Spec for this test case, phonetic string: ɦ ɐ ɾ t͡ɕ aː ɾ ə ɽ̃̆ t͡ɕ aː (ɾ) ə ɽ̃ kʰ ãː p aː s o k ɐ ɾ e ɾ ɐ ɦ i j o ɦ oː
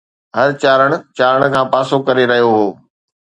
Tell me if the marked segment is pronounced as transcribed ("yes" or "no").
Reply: yes